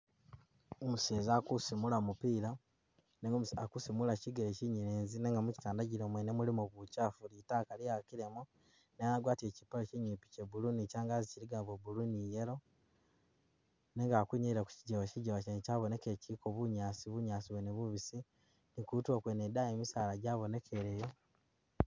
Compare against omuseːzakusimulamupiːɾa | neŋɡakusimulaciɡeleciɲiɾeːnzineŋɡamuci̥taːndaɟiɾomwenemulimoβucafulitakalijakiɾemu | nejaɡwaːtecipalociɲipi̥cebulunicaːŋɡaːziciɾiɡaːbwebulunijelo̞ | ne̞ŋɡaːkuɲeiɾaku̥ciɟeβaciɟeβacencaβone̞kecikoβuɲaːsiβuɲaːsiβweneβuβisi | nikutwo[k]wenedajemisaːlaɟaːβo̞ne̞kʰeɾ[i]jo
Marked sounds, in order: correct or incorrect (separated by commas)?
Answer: correct, incorrect